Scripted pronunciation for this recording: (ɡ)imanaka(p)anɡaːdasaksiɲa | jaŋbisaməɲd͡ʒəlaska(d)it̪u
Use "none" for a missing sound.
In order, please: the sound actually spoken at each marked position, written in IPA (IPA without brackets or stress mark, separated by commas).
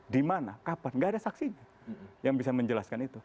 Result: d, p, n